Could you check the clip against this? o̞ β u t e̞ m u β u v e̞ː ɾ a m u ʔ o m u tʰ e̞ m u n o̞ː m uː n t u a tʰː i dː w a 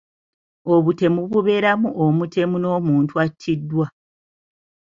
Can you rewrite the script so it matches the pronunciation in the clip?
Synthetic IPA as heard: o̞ β u t e̞ m u β u β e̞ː ɾ a m u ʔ o m u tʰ e̞ m u n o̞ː m uː n t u a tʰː i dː w a